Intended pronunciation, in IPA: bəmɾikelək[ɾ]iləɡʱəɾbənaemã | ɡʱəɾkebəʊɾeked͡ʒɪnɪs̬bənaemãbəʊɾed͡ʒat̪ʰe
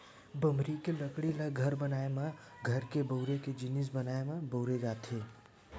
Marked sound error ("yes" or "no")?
yes